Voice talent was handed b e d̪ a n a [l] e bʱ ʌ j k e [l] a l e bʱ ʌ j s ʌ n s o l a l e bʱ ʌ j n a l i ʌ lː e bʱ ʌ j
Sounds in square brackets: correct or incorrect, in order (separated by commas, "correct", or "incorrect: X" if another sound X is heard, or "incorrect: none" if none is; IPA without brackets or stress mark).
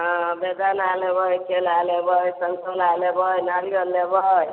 correct, correct